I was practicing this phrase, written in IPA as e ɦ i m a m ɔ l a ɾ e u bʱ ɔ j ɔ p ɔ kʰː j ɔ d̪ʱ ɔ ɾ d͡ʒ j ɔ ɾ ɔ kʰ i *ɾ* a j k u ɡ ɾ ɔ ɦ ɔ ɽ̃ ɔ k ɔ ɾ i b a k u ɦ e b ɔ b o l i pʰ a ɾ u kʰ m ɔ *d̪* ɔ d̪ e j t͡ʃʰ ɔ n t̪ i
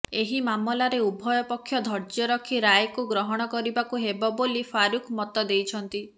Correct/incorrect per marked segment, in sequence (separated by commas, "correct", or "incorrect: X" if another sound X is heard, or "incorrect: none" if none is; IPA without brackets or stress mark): correct, incorrect: t̪